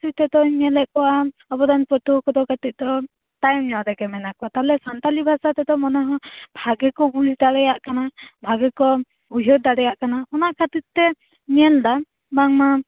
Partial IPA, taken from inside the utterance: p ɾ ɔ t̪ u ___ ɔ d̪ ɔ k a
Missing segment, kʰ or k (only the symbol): k